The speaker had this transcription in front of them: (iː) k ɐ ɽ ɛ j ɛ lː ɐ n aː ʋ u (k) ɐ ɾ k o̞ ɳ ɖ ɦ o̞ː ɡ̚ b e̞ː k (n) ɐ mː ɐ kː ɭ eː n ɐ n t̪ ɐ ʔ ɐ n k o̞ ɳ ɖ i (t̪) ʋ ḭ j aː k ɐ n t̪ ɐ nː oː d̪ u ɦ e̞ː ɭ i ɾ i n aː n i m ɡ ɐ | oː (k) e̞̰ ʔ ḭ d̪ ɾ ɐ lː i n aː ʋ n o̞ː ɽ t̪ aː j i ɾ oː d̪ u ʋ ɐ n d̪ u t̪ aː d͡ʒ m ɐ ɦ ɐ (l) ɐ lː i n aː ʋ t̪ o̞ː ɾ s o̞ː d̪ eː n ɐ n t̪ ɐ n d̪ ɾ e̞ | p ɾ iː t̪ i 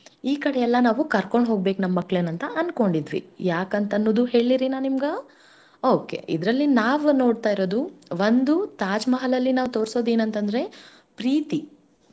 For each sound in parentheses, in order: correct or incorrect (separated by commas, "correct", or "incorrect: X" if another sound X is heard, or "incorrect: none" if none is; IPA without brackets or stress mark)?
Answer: correct, correct, correct, incorrect: d̪, correct, correct